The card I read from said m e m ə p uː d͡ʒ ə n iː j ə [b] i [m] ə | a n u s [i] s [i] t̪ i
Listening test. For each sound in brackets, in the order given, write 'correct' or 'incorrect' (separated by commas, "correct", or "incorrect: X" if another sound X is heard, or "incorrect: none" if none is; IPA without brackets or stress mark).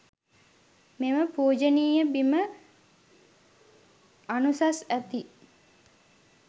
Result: correct, correct, incorrect: a, incorrect: æ